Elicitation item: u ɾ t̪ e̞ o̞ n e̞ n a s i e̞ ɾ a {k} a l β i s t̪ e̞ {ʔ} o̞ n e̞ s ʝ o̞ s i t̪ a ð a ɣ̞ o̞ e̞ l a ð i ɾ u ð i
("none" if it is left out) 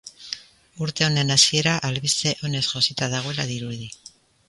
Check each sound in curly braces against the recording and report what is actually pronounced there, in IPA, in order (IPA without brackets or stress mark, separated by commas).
ʔ, ʔ